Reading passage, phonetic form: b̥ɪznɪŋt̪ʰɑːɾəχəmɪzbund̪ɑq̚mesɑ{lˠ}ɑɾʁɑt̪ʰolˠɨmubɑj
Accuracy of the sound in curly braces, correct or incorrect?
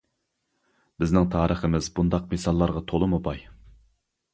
incorrect